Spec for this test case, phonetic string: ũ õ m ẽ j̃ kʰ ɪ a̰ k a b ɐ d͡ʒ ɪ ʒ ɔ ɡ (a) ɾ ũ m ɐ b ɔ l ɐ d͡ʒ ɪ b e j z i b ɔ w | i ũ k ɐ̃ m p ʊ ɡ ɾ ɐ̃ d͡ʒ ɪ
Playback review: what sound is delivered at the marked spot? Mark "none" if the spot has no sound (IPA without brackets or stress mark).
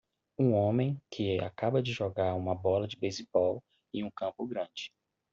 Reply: a